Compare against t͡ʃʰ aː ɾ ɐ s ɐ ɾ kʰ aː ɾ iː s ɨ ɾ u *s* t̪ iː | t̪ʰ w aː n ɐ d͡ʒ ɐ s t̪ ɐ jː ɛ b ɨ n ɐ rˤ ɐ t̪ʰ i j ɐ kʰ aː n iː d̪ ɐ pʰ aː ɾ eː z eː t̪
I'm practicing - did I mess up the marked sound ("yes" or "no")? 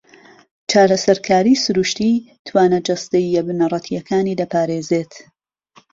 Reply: yes